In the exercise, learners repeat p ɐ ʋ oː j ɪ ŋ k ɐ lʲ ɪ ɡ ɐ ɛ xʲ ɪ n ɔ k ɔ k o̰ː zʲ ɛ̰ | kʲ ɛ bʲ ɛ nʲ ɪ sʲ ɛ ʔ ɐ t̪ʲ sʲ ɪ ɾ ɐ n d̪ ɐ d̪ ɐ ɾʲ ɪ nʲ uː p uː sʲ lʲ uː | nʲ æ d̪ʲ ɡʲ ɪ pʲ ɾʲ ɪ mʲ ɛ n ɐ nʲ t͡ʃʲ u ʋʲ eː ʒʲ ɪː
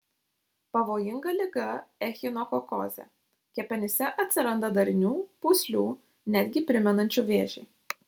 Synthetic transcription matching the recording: p ɐ ʋ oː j ɪ ŋ ɡ ɐ lʲ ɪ ɡ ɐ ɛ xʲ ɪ n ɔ k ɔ k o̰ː zʲ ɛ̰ | kʲ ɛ pʲ ɛ nʲ ɪ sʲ ɛ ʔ ɐ t̪ʲ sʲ ɪ ɾ ɐ n d̪ ɐ d̪ ɐ ɾʲ ɪ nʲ uː p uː sʲ lʲ uː | nʲ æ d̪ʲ ɡʲ ɪ pʲ ɾʲ ɪ mʲ ɛ n ɐ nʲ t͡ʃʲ u ʋʲ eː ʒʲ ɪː